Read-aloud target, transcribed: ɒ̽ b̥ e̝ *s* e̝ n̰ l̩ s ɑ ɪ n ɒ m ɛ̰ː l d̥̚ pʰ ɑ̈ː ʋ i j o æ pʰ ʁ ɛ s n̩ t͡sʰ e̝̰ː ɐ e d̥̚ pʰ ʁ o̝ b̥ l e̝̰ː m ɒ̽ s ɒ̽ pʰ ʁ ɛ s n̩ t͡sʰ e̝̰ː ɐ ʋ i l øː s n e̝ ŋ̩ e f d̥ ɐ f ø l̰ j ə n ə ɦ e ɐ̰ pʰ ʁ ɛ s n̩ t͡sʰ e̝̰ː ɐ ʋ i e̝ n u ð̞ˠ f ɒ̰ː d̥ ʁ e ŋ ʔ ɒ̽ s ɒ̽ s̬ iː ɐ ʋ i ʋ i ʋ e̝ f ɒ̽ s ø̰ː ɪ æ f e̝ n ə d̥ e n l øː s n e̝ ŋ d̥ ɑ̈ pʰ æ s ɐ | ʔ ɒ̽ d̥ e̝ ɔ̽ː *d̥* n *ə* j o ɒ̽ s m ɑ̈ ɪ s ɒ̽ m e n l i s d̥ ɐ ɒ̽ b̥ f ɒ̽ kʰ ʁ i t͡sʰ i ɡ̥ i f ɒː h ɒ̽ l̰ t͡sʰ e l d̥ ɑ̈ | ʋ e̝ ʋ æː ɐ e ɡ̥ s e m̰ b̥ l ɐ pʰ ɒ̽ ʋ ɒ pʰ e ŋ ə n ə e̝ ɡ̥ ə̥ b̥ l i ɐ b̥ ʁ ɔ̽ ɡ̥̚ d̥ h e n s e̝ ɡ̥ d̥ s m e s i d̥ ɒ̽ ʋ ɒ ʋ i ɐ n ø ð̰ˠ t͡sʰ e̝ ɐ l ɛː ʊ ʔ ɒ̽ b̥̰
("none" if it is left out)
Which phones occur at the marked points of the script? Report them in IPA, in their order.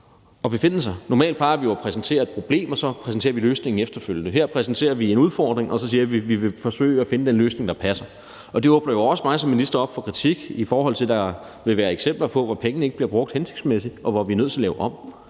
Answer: f, b̥, ɐ

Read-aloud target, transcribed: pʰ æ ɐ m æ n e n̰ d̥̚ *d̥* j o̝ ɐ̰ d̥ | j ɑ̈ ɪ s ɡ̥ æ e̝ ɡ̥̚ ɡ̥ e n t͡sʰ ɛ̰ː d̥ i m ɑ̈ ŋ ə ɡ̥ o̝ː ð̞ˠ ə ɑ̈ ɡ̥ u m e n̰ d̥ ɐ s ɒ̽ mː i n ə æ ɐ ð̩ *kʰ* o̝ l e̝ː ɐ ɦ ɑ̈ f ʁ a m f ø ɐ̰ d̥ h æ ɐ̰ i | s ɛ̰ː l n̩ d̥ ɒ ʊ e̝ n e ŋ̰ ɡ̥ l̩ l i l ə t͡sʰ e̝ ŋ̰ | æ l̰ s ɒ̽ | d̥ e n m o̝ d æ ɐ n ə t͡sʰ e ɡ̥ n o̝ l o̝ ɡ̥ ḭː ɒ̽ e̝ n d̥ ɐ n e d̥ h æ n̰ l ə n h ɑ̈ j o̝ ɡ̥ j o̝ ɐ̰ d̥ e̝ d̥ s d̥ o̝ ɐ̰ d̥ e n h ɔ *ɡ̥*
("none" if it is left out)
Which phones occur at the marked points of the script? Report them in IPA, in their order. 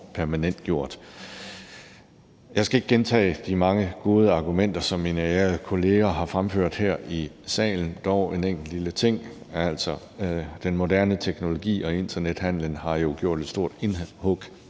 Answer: ɡ̥, kʰ, ɡ̥

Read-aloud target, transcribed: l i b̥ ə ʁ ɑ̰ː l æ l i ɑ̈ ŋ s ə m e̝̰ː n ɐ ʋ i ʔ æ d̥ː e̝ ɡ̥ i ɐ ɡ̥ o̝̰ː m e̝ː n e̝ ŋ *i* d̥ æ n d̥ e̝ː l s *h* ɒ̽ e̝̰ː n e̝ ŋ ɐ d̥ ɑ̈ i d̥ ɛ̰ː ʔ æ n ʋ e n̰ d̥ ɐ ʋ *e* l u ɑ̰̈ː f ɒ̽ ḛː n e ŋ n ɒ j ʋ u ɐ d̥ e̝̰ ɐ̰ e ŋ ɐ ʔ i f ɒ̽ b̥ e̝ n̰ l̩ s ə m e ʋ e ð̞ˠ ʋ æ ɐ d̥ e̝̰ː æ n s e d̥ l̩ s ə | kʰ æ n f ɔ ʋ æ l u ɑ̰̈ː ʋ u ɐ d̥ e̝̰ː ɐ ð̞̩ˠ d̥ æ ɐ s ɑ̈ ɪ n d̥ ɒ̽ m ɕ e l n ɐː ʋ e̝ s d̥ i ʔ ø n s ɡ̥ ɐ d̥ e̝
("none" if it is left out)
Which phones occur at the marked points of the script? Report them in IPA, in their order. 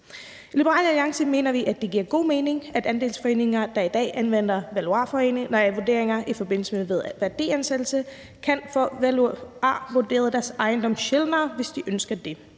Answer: æ, f, æ

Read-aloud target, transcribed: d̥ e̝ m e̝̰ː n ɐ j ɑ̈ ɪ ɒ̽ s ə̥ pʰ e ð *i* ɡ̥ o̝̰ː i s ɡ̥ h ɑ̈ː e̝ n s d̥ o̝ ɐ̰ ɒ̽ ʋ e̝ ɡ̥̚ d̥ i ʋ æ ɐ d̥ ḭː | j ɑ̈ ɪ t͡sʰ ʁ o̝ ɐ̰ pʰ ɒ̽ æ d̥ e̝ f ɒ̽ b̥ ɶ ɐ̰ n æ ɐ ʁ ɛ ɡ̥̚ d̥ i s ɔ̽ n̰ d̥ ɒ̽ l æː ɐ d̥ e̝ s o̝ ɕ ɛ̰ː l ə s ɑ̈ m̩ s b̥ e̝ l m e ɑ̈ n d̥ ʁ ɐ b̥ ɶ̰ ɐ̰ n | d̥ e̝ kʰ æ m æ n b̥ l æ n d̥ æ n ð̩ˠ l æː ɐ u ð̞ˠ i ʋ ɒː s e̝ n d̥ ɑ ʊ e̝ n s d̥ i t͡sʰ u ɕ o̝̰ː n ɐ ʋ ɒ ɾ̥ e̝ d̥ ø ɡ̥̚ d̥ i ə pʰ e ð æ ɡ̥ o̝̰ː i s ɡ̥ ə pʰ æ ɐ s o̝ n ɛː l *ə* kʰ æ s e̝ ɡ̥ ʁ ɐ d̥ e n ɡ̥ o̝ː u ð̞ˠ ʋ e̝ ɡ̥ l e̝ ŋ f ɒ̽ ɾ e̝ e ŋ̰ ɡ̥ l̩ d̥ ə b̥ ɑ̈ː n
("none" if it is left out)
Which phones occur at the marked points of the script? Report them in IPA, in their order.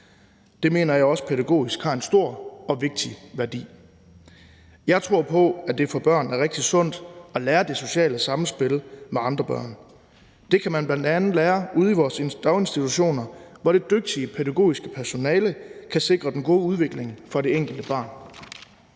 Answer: æ, ə

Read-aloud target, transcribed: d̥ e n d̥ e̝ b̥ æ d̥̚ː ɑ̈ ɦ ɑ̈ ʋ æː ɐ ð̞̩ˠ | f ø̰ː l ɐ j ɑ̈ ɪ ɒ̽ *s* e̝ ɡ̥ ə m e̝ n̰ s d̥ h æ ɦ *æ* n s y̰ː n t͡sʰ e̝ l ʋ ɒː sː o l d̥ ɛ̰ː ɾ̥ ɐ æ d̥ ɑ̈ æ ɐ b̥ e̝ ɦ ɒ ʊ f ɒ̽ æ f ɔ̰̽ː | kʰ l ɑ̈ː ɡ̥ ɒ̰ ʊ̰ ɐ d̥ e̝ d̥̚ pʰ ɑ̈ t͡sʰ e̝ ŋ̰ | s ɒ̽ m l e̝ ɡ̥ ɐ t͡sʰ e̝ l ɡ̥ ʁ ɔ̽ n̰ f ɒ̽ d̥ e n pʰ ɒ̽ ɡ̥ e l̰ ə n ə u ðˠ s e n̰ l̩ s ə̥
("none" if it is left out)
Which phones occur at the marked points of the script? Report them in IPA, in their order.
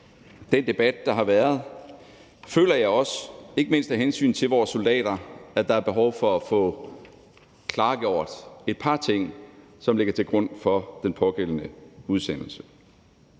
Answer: s, e

